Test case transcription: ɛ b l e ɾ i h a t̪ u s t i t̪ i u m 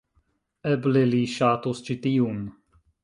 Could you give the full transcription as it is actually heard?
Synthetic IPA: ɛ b l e l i ʃ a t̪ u s t͡ʃ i t̪ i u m